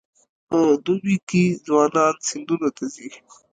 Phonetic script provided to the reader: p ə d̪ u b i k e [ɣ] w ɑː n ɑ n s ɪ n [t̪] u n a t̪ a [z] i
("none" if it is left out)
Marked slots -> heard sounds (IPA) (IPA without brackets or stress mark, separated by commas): z, d̪, z